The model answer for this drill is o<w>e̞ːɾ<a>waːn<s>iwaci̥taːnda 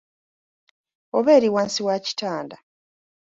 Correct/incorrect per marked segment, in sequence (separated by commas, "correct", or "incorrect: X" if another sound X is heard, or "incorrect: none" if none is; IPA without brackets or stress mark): incorrect: β, incorrect: i, correct